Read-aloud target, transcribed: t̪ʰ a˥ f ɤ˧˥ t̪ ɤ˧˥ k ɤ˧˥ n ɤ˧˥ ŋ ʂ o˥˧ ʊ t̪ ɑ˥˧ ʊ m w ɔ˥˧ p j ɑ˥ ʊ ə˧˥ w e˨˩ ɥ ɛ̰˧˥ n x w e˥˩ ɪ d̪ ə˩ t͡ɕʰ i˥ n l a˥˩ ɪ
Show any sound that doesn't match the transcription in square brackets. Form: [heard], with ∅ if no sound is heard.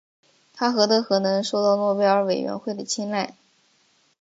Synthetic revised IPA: t̪ʰ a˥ [x] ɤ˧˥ t̪ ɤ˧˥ [x] ɤ˧˥ n ɤ˧˥ ŋ ʂ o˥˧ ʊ t̪ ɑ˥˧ ʊ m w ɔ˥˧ p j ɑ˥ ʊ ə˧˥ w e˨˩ ɥ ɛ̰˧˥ n x w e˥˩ ɪ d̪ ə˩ t͡ɕʰ i˥ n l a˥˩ ɪ

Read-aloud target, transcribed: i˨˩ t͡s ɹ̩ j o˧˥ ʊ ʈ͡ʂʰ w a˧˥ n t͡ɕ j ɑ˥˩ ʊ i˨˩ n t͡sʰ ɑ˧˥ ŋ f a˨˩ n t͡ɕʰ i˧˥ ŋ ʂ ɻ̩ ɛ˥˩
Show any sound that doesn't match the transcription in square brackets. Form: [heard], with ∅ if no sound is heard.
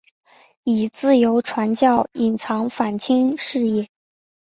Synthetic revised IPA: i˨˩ t͡s ɹ̩ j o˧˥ ʊ ʈ͡ʂʰ w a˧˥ n t͡ɕ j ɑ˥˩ ʊ i˨˩ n t͡sʰ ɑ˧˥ ŋ f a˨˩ n t͡ɕʰ [i˥] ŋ ʂ ɻ̩ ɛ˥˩

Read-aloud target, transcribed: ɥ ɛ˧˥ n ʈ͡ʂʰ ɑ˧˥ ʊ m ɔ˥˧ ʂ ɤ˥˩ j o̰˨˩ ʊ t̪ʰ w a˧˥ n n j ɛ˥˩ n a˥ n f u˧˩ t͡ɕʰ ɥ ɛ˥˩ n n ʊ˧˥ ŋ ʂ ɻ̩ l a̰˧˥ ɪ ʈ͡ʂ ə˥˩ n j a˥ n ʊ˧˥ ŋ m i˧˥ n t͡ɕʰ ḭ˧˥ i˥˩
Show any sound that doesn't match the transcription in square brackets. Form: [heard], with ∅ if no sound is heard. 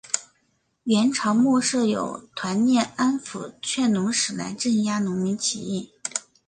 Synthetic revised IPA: ɥ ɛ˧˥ n ʈ͡ʂʰ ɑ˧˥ ʊ m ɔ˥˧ ʂ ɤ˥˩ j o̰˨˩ ʊ t̪ʰ w a˧˥ n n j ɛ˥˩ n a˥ n f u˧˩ t͡ɕʰ ɥ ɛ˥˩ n n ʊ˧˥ ŋ ʂ ɻ̩ l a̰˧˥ ɪ ʈ͡ʂ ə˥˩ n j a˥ n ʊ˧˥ ŋ m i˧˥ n t͡ɕʰ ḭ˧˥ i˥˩

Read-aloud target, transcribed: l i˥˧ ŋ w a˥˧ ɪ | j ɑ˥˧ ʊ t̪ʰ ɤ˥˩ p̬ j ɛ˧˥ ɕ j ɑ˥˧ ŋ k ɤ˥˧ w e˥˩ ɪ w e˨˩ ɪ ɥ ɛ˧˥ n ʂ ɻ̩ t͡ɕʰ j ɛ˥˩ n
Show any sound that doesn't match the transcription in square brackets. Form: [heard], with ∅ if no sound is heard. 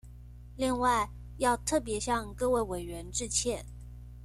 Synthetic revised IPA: l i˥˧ ŋ w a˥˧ ɪ | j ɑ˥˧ ʊ t̪ʰ ɤ˥˩ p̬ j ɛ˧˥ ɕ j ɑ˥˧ ŋ k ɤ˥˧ w e˥˩ ɪ w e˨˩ ɪ ɥ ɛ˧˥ n [ʈ͡ʂ] ɻ̩ t͡ɕʰ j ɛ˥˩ n

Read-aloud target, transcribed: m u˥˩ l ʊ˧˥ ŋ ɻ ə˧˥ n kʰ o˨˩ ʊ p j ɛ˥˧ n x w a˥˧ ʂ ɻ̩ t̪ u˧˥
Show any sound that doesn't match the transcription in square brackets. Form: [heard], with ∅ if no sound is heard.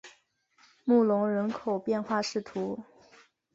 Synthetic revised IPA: m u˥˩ l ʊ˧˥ ŋ ɻ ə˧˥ n kʰ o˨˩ ʊ p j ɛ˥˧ n x w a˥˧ ʂ ɻ̩ [t̪ʰ] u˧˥

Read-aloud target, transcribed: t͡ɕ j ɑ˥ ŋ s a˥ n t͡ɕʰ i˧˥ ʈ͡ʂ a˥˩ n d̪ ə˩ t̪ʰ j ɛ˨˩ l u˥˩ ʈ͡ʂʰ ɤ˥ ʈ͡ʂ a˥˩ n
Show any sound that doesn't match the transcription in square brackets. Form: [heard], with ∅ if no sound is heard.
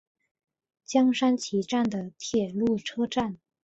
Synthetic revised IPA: t͡ɕ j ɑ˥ ŋ [ʂ] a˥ n t͡ɕʰ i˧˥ ʈ͡ʂ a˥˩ n d̪ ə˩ t̪ʰ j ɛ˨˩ l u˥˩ ʈ͡ʂʰ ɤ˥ ʈ͡ʂ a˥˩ n

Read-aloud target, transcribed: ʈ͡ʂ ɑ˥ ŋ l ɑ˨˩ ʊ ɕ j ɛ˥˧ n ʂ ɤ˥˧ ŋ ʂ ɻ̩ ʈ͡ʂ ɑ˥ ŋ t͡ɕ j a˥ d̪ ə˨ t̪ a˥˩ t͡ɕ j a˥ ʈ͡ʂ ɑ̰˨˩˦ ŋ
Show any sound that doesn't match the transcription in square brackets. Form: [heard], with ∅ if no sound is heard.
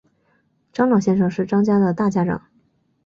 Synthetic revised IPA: ʈ͡ʂ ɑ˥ ŋ l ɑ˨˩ ʊ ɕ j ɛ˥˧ n ʂ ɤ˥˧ ŋ ʂ ɻ̩ ʈ͡ʂ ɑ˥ ŋ t͡ɕ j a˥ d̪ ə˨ t̪ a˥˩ t͡ɕ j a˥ ʈ͡ʂ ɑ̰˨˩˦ ŋ

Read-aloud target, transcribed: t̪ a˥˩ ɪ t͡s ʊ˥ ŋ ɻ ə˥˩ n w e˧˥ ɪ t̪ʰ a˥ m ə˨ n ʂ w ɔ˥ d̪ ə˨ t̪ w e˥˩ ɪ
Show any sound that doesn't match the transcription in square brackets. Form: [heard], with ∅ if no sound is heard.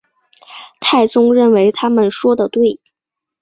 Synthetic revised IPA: [t̪ʰ] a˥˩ ɪ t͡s ʊ˥ ŋ ɻ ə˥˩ n w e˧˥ ɪ t̪ʰ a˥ m ə˨ n ʂ w ɔ˥ d̪ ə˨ t̪ w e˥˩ ɪ

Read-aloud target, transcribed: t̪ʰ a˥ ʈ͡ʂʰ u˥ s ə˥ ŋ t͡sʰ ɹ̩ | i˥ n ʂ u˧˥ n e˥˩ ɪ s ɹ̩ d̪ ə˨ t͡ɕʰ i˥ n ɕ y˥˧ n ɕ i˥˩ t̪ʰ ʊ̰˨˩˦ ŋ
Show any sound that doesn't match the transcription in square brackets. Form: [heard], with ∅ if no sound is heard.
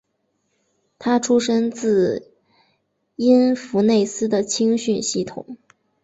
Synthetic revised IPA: t̪ʰ a˥ ʈ͡ʂʰ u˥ [ʂ] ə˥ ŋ [t͡s] ɹ̩ | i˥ n [f] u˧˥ n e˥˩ ɪ s ɹ̩ d̪ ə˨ t͡ɕʰ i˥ [ŋ] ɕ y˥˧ n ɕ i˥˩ t̪ʰ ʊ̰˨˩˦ ŋ

